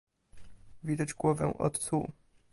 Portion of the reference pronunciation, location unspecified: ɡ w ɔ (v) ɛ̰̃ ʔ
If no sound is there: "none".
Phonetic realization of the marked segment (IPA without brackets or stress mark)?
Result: v